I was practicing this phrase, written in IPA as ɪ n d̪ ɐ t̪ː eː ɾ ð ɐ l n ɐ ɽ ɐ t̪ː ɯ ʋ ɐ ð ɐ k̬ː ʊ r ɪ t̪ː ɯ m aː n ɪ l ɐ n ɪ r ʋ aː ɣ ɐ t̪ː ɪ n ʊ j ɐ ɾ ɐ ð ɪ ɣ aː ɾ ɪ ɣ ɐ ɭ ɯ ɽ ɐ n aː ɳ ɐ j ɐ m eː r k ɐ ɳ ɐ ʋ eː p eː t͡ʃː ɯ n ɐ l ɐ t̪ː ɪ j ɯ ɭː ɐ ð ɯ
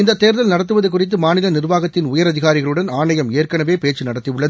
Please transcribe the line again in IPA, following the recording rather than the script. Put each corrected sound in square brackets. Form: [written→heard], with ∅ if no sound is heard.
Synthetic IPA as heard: ɪ n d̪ ɐ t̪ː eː ɾ ð ɐ l n ɐ ɽ ɐ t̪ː ɯ ʋ ɐ ð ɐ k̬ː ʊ r ɪ t̪ː ɯ m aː n ɪ l ɐ n ɪ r ʋ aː ɣ ɐ t̪ː ɪ n ʊ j ɐ ɾ ɐ ð ɪ ɣ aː ɾ ɪ ɣ ɐ ɭ ɯ ɽ ɐ n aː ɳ ɐ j ɐ m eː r k ɐ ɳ ɐ ʋ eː p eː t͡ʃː ɯ n ɐ [l→ɽ] ɐ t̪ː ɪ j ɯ ɭː ɐ ð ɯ